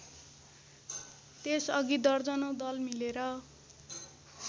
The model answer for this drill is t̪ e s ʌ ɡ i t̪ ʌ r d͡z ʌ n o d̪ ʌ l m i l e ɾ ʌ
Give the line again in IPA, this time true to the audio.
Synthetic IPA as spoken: t̪ e s ʌ ɡ i d̪ ʌ r d͡z ʌ n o d̪ ʌ l m i l e ɾ ʌ